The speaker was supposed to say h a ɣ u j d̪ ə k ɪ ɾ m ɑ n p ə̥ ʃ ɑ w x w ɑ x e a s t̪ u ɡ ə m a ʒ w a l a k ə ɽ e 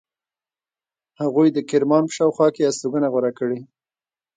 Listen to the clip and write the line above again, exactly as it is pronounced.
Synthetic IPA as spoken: h a ɣ u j d̪ ə k ɪ ɾ m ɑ n p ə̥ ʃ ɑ w x w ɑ k e a s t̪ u ɡ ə n a ɣ w a ɾ a k ə ɽ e